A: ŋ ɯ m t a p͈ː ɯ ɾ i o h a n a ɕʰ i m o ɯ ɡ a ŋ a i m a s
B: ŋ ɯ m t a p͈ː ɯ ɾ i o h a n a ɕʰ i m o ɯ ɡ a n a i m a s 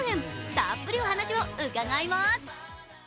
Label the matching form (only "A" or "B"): A